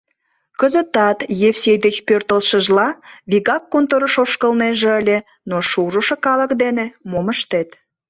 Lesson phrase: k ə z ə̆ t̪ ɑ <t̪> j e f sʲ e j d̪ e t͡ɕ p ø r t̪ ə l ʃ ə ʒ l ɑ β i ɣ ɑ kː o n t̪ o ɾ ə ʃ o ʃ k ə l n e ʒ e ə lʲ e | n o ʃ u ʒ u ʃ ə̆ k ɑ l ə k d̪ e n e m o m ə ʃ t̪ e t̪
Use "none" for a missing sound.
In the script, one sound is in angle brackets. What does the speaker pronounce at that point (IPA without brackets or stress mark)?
t̪